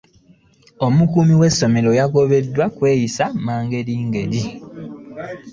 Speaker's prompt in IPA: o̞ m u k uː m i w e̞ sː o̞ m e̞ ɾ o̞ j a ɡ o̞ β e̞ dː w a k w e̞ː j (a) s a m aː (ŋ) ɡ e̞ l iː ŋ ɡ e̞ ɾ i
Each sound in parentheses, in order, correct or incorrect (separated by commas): incorrect, correct